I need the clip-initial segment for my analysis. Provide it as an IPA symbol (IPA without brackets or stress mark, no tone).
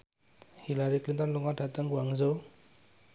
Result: h